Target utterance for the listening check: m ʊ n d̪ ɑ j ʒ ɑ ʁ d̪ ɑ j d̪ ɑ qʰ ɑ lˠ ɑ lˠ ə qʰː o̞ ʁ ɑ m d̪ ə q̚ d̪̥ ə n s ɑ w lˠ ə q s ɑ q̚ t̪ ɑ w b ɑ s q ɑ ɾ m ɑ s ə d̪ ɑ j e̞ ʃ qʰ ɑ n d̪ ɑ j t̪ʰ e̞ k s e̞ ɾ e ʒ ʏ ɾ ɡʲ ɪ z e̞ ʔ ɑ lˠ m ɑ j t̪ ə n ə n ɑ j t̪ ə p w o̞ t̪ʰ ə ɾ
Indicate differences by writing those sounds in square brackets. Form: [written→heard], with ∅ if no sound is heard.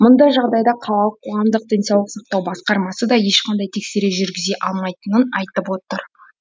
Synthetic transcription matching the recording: m ʊ n d̪ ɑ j ʒ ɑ ʁ d̪ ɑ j d̪ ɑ qʰ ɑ lˠ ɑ lˠ ə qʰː o̞ ʁ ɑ m d̪ ə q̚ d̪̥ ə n s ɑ w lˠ ə q s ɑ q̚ t̪ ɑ w b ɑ s q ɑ ɾ m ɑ s ə d̪ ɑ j e̞ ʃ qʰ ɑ n d̪ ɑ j t̪ʰ e̞ k s e̞ ɾ e ʒ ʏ ɾ ɡʲ ɪ z e̞ ʔ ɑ lˠ m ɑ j t̪ ə n ə n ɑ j t̪ ə p w o̞ [t̪ʰ→t̪] ə ɾ